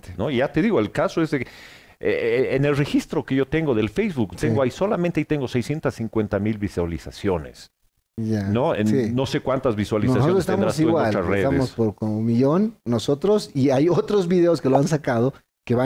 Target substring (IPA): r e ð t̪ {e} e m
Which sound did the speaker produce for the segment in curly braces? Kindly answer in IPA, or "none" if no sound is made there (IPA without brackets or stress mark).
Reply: a